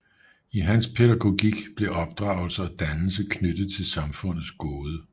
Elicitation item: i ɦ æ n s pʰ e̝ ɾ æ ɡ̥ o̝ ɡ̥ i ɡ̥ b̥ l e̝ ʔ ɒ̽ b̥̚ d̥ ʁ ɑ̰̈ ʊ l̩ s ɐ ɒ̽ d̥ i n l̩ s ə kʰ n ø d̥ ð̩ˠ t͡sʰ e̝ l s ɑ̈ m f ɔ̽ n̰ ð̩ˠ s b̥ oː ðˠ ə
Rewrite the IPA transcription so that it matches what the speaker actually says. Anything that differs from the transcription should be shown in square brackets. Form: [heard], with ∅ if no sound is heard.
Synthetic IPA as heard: i ɦ æ n s pʰ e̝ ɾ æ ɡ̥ o̝ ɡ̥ i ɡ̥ b̥ l e̝ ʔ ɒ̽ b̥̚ d̥ ʁ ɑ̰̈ ʊ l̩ s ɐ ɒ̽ d̥ [æ] n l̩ s ə kʰ n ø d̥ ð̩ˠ t͡sʰ e̝ l s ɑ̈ m f ɔ̽ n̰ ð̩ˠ s [ɡ̥] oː ðˠ ə